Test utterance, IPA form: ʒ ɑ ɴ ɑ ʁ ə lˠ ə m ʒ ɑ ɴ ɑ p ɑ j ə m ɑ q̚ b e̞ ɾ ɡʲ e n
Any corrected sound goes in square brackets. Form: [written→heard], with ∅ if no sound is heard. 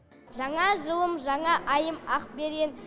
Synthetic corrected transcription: ʒ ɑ ɴ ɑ [ʁ→ʒ] ə lˠ ə m ʒ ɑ ɴ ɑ [p→ʔ] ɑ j ə m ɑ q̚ b e̞ ɾ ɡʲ e n